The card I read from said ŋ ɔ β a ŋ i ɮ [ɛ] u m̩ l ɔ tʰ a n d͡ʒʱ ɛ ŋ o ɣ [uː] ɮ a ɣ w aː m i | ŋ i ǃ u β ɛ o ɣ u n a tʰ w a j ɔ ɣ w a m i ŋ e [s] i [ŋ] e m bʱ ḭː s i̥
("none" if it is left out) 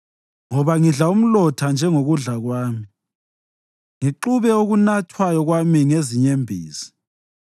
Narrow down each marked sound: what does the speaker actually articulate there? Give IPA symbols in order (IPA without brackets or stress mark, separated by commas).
a, u, z, ɲ